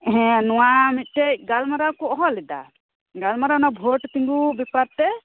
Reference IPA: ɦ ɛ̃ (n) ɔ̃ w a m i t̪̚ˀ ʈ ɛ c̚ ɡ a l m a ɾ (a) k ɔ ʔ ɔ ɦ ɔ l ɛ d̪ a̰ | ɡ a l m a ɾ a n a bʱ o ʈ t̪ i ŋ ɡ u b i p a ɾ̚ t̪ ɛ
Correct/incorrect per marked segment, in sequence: correct, correct

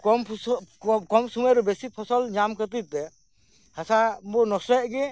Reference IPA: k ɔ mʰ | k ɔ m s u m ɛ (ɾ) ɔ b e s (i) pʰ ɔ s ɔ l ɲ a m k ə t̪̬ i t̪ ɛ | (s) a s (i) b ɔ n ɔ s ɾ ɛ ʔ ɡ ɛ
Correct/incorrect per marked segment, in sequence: correct, correct, incorrect: h, incorrect: a

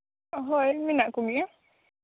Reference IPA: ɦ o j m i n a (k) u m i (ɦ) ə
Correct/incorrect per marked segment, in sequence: correct, incorrect: none

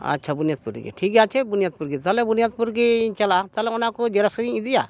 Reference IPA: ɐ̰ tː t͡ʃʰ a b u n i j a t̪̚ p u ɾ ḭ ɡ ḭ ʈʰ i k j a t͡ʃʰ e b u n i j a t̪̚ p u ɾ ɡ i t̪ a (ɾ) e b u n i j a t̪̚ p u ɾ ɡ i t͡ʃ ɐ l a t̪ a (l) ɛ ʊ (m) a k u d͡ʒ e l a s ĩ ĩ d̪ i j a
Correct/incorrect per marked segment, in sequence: incorrect: l, correct, incorrect: n

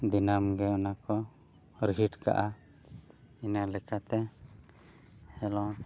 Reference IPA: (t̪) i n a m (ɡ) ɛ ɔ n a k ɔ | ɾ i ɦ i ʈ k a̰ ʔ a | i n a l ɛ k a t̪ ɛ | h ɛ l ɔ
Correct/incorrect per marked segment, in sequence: incorrect: d̪, correct

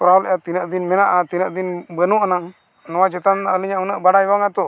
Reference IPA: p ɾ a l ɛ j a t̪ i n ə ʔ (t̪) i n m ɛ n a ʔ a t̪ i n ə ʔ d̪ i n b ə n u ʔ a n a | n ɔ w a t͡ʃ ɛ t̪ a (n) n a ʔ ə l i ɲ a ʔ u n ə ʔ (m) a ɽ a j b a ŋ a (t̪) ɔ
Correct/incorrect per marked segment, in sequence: incorrect: d̪, correct, incorrect: b, correct

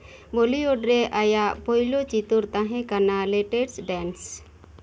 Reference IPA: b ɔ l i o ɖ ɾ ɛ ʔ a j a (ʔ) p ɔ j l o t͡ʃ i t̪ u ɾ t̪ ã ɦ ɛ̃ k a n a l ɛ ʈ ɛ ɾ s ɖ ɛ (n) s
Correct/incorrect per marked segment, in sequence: correct, correct

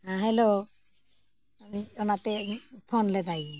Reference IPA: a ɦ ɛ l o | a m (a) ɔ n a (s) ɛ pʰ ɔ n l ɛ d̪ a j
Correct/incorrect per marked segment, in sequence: incorrect: i, incorrect: t

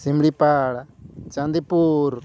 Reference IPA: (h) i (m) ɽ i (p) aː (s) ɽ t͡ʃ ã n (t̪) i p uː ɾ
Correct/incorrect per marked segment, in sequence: incorrect: s, correct, correct, incorrect: none, incorrect: d̪

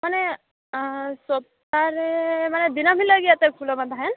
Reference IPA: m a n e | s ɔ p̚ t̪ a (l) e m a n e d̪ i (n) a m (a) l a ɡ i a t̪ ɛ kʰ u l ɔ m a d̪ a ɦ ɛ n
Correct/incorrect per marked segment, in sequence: incorrect: ɾ, correct, incorrect: i

